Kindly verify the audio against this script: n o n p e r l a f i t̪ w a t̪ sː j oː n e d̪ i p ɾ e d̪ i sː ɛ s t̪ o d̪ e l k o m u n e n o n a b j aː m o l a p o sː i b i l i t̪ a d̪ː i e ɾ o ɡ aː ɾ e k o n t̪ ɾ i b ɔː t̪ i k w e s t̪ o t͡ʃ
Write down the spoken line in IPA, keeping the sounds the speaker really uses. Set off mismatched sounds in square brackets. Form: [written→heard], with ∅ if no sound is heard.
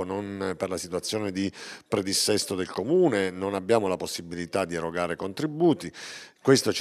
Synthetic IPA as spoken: n o n p e r l a [f→s] i t̪ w a t̪ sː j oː n e d̪ i p ɾ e d̪ i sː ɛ s t̪ o d̪ e l k o m [u→uː] n e n o n a b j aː m o l a p o sː i b i l i t̪ a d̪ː i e ɾ o ɡ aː ɾ e k o n t̪ ɾ i b [ɔː→uː] t̪ i k w e s t̪ o t͡ʃ